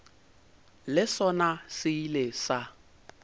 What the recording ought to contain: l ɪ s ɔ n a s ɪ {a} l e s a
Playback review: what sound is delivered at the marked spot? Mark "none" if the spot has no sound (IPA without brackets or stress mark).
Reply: i